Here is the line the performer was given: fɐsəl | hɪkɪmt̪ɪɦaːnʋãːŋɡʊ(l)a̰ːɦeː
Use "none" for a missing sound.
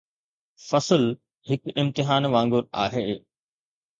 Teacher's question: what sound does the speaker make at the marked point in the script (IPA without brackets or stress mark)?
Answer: ɾ